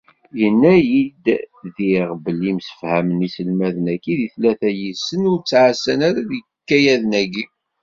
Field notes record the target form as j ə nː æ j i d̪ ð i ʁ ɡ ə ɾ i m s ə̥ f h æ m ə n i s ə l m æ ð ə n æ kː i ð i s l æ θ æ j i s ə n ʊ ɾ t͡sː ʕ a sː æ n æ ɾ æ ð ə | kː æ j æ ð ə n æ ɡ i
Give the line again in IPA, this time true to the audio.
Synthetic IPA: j ə nː æ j i d̪ ð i ʁ b ə l i m s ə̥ f h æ m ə n i s ə l m æ ð ə n æ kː i ð i θ l æ θ æ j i s ə n ʊ ɾ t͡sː ʕ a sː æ n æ ɾ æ ð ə | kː æ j æ ð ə n æ ɡ i